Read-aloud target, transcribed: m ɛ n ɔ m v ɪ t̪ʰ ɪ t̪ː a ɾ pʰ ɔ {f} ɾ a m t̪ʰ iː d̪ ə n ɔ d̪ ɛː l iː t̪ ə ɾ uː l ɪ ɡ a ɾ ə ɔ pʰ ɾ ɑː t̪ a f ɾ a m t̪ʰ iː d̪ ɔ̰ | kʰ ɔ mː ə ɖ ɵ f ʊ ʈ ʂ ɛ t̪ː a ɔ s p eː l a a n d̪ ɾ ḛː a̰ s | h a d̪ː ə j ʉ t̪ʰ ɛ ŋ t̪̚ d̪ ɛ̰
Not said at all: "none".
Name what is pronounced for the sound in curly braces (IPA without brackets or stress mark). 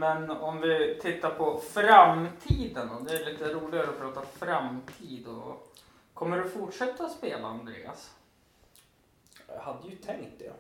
f